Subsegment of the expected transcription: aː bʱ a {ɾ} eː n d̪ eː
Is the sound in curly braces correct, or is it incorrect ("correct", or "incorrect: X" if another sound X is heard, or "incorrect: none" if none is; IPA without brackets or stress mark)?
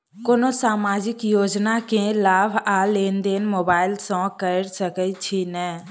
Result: incorrect: l